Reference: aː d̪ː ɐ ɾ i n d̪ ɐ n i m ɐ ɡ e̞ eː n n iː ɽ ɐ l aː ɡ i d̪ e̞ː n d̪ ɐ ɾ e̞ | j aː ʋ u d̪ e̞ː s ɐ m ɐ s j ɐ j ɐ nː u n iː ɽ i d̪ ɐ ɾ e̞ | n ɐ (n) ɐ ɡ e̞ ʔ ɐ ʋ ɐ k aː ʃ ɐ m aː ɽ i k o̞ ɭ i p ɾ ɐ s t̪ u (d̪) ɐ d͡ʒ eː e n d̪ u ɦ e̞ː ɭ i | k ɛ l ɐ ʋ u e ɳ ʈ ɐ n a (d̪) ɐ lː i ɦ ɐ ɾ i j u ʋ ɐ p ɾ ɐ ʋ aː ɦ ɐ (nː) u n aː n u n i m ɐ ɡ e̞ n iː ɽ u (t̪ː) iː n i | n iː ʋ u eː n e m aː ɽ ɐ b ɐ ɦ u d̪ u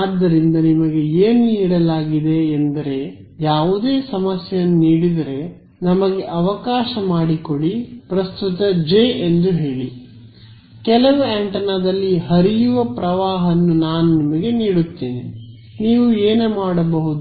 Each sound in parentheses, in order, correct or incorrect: incorrect, incorrect, correct, correct, correct

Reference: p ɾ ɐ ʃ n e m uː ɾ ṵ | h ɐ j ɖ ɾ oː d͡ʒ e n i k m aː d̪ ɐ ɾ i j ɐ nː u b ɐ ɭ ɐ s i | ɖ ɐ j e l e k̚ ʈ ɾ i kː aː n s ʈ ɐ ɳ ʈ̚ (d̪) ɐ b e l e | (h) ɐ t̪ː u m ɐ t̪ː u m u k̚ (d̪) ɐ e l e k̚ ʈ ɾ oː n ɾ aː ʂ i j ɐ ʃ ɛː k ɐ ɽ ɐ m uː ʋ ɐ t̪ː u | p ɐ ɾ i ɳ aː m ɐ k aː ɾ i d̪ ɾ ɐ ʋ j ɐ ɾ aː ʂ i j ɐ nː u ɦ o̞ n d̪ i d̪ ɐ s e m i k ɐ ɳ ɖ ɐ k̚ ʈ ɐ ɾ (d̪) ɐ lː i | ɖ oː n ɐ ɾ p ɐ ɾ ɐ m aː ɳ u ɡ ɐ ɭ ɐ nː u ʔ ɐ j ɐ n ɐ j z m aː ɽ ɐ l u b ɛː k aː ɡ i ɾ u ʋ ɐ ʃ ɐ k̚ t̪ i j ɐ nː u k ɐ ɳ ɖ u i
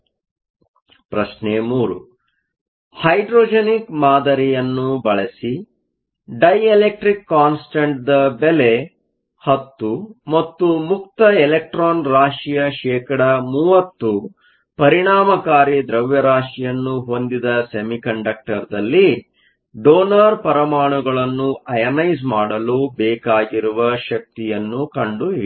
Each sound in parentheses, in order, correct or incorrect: correct, correct, incorrect, correct

